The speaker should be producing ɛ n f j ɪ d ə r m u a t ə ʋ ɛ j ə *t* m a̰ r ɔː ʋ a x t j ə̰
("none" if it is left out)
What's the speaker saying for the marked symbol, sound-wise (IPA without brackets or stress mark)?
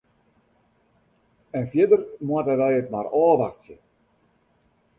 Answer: t